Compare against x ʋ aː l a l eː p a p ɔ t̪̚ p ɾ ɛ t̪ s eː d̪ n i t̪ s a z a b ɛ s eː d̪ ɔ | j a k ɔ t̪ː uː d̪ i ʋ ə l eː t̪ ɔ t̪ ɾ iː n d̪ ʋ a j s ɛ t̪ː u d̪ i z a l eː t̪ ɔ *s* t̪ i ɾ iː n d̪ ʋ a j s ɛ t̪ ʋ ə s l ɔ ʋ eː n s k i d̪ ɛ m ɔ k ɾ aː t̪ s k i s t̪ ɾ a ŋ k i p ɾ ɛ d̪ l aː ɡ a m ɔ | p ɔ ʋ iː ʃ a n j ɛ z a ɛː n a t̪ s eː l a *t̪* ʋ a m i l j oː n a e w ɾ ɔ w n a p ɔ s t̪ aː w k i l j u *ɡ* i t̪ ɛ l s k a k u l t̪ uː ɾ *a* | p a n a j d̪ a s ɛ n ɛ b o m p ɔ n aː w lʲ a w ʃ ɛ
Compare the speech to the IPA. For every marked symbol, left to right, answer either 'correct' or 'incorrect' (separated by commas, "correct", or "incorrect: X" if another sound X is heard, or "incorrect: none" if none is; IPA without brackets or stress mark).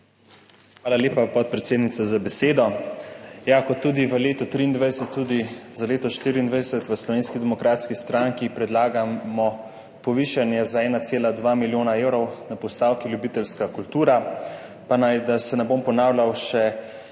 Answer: incorrect: ʃ, incorrect: d̪, incorrect: b, correct